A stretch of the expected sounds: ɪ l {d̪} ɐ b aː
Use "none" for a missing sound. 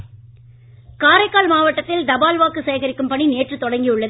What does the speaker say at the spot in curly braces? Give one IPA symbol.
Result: d̪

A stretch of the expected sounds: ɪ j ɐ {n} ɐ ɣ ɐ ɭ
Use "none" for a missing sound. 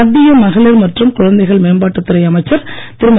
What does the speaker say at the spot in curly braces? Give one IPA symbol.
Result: m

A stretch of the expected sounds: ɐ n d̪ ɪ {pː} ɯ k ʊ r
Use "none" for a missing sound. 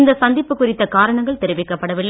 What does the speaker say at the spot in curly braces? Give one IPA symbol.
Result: pː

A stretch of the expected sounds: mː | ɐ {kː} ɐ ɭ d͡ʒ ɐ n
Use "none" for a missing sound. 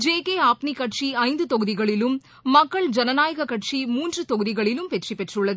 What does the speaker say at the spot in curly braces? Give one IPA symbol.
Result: kː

